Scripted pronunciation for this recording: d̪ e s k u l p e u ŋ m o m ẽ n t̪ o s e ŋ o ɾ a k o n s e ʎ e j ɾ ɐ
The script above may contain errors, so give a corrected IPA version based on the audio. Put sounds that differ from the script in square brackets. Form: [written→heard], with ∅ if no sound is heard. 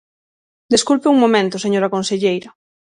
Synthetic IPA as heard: d̪ e s k u l p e u ŋ m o m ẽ n t̪ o s e [ŋ→ɲ] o ɾ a k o n s e ʎ e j ɾ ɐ